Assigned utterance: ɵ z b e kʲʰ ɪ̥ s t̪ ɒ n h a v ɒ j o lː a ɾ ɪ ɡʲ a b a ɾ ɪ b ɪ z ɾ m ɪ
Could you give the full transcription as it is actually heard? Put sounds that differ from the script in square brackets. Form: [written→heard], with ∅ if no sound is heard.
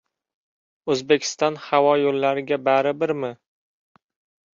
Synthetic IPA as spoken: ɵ z b e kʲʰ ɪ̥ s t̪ ɒ n h a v ɒ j o lː a ɾ ɪ ɡʲ a b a ɾ ɪ b ɪ [z→∅] ɾ m ɪ